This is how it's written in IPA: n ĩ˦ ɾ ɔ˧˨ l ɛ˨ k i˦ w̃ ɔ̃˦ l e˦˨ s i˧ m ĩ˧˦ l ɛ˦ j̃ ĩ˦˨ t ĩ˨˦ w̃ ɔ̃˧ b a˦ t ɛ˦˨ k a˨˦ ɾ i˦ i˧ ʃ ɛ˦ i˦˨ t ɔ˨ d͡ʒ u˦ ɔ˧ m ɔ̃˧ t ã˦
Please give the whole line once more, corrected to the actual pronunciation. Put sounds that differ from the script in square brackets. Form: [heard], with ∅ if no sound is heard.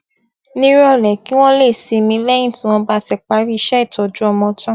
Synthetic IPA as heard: n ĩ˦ ɾ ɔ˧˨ l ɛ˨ k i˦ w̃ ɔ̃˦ l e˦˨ s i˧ m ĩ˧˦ l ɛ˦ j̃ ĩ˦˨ t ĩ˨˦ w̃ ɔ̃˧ b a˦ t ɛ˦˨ [k͡p] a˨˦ ɾ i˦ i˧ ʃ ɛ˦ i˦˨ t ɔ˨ d͡ʒ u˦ ɔ˧ m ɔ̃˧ t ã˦